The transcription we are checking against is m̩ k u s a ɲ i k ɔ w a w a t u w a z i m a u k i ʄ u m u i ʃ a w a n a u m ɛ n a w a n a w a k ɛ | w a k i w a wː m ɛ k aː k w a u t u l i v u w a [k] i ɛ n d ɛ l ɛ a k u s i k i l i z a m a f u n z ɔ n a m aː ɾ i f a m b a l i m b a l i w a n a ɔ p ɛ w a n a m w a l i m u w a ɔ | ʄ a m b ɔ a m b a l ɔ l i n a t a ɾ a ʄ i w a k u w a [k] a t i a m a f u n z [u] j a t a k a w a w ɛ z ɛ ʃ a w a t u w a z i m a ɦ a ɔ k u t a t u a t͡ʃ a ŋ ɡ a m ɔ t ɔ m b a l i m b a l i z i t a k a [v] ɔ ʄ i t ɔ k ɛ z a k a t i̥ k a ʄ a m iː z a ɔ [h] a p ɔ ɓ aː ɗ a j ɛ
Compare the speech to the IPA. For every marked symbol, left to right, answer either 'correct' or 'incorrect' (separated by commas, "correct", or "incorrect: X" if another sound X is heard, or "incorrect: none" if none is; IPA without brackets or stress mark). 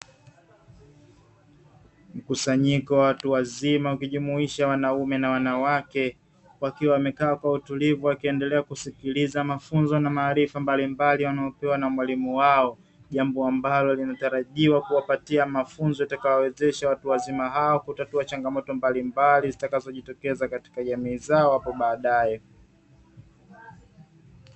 correct, incorrect: p, incorrect: ɔ, incorrect: z, correct